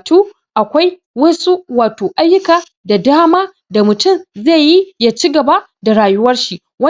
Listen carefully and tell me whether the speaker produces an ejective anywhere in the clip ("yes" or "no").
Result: no